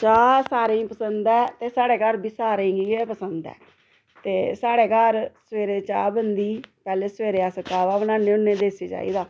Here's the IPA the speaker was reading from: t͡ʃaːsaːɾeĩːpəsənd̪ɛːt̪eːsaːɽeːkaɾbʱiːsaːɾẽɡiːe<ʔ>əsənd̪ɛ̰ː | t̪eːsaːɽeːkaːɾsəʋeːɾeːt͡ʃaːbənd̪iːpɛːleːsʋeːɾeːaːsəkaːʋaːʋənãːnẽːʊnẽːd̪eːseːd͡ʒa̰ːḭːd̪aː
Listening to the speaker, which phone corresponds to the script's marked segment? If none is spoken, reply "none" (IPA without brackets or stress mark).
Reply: p